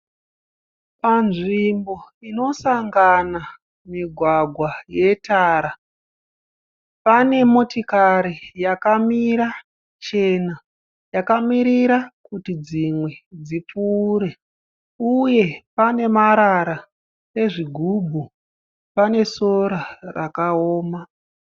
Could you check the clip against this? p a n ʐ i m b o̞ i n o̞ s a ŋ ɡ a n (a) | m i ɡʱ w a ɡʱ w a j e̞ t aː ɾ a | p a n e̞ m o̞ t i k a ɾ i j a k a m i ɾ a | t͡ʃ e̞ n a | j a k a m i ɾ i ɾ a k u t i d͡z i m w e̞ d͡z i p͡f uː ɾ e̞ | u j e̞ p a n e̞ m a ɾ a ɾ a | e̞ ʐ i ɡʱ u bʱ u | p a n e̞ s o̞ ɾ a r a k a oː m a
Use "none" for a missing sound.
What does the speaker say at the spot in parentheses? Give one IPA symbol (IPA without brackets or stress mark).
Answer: a